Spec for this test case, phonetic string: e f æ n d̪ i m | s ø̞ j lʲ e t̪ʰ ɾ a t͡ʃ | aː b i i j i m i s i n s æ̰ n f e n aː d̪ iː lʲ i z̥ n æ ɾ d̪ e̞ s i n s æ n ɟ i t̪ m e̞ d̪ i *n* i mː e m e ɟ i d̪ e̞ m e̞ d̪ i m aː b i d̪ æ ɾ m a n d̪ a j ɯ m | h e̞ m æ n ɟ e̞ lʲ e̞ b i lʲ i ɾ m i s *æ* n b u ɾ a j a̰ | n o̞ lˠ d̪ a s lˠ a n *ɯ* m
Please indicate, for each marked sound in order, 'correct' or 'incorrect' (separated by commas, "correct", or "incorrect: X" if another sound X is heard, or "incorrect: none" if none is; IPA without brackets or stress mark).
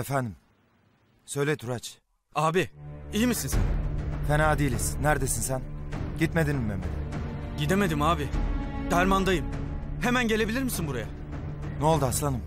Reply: correct, incorrect: i, correct